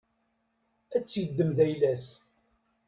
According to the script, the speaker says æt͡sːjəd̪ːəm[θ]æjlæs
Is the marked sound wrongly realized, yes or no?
yes